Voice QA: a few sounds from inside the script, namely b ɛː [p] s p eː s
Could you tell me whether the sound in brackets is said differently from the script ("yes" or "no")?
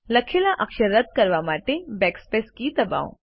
yes